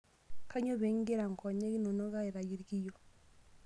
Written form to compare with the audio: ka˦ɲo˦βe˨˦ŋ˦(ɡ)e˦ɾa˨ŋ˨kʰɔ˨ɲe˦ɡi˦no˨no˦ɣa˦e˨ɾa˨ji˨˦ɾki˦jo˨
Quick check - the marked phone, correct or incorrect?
correct